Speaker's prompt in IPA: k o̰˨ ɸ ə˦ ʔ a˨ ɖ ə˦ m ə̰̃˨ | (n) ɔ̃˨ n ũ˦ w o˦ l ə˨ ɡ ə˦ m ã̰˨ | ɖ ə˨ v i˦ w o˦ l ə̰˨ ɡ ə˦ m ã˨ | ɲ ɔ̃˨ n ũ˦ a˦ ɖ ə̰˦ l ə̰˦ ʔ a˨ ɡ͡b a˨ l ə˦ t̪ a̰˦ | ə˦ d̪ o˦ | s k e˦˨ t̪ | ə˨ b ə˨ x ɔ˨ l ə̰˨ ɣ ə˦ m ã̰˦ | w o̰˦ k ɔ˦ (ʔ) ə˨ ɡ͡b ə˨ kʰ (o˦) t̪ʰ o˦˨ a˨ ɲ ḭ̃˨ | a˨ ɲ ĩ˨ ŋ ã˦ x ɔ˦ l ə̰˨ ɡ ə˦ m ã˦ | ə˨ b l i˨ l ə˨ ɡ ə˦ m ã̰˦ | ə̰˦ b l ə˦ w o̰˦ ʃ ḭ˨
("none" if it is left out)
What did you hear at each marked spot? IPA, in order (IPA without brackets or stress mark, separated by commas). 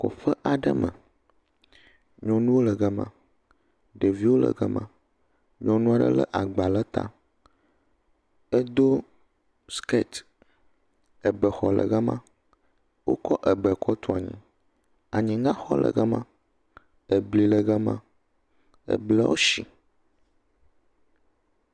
ɲ, ʔ, ɔ˦